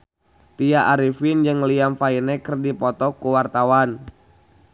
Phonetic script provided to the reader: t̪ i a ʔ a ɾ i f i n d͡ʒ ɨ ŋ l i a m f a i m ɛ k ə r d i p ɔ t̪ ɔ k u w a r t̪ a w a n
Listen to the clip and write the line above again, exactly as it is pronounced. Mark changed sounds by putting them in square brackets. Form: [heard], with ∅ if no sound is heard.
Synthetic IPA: t̪ i a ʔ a ɾ i f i n d͡ʒ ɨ ŋ l i a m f a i [n] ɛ k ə r d i p ɔ t̪ ɔ k u w a r t̪ a w a n